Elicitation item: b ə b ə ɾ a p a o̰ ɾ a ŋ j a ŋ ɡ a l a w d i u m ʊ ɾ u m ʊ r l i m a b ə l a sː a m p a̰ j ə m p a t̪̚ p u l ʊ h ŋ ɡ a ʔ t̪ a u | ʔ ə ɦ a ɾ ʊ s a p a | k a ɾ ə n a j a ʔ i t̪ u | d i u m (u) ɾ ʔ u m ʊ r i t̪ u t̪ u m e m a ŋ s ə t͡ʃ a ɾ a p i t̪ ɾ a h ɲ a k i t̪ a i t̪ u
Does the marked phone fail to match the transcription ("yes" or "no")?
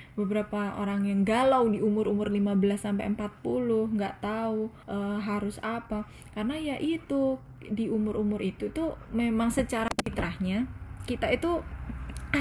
yes